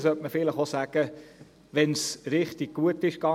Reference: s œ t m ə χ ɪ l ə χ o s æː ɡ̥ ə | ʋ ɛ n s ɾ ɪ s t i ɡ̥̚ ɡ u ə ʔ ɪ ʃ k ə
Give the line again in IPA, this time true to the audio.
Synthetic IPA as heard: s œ t m ə f ɪ l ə χ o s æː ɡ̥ ə | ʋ ɛ n s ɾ ɪ χ t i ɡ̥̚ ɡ u ə t ɪ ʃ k ɑ